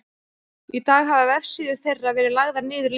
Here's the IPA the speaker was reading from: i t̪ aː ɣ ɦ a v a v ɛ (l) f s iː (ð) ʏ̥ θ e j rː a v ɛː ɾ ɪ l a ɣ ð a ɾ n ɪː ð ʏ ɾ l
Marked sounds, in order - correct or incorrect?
incorrect: none, correct

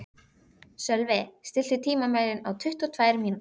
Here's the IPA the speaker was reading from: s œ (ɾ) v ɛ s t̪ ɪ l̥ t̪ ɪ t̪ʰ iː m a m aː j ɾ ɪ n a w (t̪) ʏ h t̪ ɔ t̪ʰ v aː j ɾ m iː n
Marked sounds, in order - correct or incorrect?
incorrect: l, incorrect: t̪ʰ

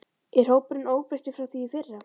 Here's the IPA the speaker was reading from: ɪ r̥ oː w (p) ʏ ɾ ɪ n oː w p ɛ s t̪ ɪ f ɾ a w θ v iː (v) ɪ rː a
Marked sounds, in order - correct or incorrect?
correct, incorrect: f

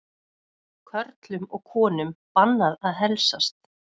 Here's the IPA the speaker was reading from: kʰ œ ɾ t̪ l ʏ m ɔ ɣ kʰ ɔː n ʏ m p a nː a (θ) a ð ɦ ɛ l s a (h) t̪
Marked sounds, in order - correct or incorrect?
incorrect: ð, incorrect: s

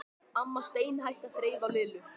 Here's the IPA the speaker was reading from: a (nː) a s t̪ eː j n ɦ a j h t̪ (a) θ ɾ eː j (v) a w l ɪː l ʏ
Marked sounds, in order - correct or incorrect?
incorrect: mː, correct, correct

